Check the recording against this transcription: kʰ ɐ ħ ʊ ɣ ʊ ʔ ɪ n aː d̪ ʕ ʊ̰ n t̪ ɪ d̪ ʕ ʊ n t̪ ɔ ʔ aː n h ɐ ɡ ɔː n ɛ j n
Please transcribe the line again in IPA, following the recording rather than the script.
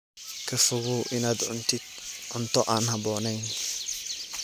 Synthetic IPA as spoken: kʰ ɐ f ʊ ɣ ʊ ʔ ɪ n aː d̪ ʕ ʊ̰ n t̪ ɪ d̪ ʕ ʊ n t̪ ɔ ʔ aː n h ɐ b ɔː n ɛ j n